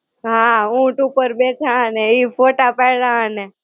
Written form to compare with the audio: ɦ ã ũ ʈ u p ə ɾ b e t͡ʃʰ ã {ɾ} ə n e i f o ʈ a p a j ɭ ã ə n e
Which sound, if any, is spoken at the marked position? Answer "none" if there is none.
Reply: none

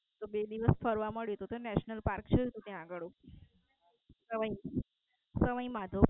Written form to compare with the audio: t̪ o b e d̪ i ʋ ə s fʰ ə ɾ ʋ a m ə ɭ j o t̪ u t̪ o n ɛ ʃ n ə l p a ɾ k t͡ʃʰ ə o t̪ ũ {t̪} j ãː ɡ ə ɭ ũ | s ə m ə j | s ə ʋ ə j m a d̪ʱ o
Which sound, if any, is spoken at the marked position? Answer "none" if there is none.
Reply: t̪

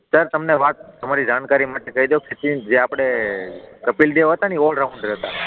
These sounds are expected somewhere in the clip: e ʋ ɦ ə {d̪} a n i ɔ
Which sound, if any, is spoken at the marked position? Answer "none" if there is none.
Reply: t̪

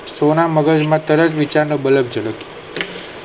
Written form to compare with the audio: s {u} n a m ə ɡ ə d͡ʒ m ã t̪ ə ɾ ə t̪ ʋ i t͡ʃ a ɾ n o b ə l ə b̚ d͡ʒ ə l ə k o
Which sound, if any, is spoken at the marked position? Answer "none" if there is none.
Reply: o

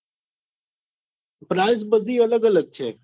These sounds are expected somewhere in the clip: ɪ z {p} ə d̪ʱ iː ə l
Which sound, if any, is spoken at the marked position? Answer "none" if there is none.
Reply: b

